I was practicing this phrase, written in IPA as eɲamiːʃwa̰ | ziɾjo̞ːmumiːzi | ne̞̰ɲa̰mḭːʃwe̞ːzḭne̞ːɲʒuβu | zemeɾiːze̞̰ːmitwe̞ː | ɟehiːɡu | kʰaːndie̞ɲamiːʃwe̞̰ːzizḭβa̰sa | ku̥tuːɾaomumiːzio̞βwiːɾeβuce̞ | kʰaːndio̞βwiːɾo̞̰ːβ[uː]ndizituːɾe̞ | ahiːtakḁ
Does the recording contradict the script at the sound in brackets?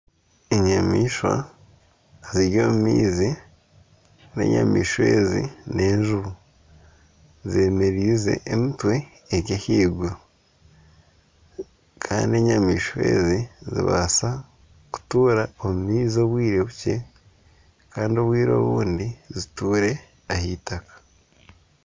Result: no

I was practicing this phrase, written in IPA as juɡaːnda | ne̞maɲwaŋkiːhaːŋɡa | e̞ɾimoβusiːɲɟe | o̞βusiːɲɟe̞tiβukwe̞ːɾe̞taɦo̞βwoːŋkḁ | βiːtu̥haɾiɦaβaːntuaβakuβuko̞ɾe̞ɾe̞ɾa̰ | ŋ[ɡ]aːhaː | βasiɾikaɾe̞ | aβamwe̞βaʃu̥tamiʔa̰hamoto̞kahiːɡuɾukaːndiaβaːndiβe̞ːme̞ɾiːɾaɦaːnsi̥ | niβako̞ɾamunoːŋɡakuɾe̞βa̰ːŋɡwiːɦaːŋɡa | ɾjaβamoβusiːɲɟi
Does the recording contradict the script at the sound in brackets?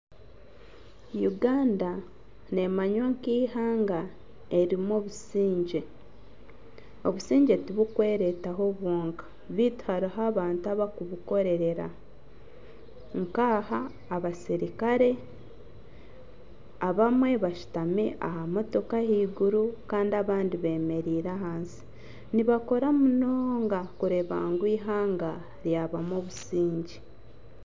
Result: yes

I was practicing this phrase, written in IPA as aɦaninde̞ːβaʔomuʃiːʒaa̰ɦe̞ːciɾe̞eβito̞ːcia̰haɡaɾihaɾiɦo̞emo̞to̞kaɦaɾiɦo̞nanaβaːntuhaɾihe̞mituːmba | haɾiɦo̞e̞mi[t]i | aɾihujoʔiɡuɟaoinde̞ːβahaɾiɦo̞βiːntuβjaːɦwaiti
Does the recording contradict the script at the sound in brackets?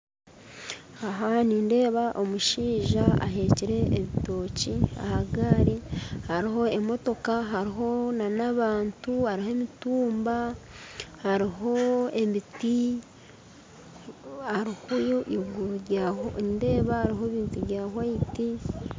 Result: no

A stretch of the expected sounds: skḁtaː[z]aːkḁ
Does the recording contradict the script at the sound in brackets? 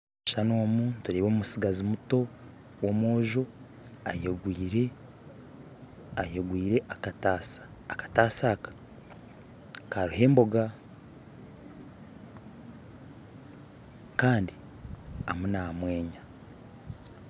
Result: yes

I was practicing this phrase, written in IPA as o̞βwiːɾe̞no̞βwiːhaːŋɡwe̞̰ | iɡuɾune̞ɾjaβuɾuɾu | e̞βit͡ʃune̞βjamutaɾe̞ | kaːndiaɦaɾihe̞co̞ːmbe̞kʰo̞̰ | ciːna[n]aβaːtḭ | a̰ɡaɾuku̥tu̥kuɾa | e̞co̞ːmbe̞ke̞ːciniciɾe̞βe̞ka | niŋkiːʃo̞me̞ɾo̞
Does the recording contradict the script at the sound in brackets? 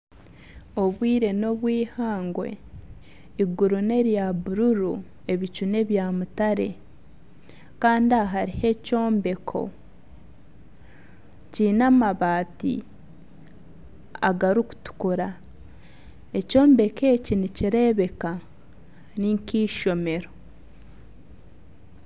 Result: yes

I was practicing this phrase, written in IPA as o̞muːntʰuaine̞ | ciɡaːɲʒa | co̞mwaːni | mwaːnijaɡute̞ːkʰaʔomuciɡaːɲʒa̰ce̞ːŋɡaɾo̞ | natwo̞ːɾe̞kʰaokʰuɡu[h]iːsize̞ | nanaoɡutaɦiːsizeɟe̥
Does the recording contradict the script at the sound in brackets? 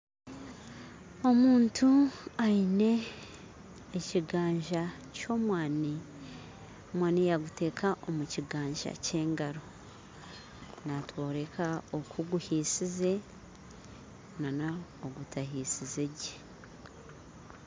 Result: no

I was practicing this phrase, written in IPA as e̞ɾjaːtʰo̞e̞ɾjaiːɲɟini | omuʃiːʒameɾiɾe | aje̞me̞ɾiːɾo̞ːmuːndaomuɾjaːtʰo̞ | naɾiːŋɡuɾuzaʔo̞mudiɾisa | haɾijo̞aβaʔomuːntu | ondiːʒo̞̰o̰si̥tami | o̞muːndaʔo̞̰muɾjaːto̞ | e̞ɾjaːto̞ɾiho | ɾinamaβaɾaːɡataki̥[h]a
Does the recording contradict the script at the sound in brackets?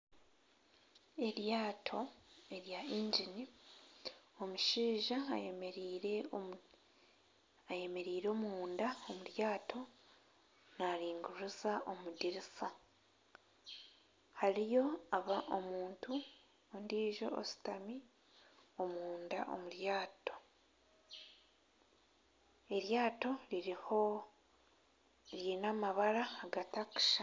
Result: yes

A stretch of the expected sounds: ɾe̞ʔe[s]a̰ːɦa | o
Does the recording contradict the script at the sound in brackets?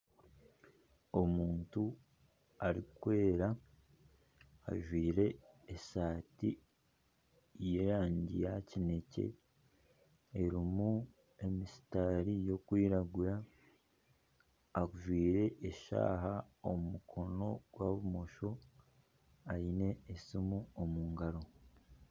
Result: yes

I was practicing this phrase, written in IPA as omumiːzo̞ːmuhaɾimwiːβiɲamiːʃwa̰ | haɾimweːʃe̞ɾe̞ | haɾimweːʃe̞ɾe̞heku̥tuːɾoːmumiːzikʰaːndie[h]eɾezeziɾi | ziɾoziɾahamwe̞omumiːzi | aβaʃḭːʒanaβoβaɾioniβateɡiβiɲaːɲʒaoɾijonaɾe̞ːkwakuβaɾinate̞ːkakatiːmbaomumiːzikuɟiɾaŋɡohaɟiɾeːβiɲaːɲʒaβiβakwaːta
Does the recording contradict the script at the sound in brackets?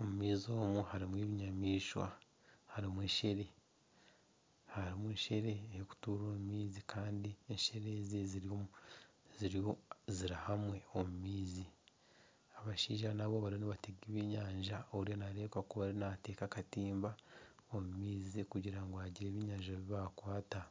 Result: yes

